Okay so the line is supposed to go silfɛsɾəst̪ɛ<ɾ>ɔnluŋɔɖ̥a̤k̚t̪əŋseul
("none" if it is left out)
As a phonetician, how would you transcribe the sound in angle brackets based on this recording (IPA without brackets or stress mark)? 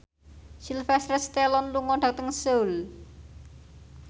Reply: l